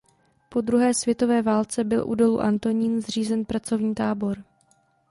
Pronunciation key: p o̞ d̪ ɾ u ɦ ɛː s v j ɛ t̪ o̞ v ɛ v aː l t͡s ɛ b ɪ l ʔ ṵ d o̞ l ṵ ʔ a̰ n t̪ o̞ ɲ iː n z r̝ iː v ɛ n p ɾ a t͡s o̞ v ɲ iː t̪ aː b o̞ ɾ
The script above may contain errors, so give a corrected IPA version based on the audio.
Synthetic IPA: p o̞ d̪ ɾ u ɦ ɛː s v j ɛ t̪ o̞ v ɛː v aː l t͡s ɛ b ɪ l ʔ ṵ d o̞ l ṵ ʔ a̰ n t̪ o̞ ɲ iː n z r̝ iː z ɛ n p ɾ a t͡s o̞ v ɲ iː t̪ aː b o̞ ɾ